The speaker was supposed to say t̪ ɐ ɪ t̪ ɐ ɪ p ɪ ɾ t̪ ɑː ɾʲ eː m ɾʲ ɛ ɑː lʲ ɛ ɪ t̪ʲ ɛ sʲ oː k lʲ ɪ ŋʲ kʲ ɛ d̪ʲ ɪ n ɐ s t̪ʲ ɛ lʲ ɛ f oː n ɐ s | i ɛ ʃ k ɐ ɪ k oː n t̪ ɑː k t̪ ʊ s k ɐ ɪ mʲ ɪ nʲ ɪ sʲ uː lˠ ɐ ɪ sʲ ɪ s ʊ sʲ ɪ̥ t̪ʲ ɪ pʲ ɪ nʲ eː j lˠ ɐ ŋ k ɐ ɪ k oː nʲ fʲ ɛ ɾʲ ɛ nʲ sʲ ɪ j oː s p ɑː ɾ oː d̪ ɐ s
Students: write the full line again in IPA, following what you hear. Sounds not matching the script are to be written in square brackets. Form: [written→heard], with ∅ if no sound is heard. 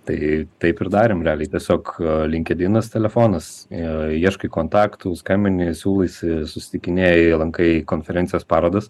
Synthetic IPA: t̪ ɐ ɪ t̪ ɐ ɪ p ɪ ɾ [t̪→d̪] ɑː ɾʲ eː m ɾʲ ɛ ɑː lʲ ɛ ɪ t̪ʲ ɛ sʲ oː k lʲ ɪ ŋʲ kʲ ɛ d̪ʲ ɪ n ɐ s t̪ʲ ɛ lʲ ɛ f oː n ɐ s | i ɛ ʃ k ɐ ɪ k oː n t̪ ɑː k t̪ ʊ s k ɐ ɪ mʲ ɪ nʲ ɪ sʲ uː lˠ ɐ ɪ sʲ ɪ s ʊ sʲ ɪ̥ t̪ʲ ɪ [pʲ→kʲ] ɪ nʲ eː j lˠ ɐ ŋ k ɐ ɪ k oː nʲ fʲ ɛ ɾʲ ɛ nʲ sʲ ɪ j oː s p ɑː ɾ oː d̪ ɐ s